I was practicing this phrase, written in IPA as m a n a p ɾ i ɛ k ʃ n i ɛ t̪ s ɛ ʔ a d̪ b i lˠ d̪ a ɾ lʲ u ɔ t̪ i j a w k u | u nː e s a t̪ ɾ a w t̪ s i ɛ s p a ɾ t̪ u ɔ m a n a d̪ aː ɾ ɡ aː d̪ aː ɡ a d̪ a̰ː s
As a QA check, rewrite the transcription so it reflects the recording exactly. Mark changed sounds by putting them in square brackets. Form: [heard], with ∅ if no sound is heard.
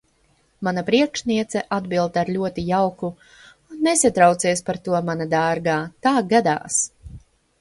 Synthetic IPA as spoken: m a n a p ɾ i ɛ k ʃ n i ɛ t̪ s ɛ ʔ a d̪ b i lˠ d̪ a ɾ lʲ u ɔ t̪ i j a w k u | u nː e s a t̪ ɾ a w t̪ s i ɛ s p a ɾ t̪ u ɔ m a n a d̪ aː ɾ ɡ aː [t̪] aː ɡ a d̪ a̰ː s